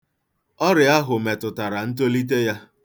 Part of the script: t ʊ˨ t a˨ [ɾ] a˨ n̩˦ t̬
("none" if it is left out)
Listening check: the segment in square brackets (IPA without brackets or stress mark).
ɾ